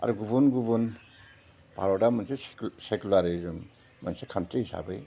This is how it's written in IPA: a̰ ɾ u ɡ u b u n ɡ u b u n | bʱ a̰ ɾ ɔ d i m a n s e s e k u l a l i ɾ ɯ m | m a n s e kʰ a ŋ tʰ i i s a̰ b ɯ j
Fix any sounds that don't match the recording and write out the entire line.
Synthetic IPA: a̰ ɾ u ɡ u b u n ɡ u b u n | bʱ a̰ ɾ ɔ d a m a n s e s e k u l a ɾ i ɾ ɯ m | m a n s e kʰ a n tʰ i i s a̰ b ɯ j